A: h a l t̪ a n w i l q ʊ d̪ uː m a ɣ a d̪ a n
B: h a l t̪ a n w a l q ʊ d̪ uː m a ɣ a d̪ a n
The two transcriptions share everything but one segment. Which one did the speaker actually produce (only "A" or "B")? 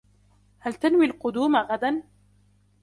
A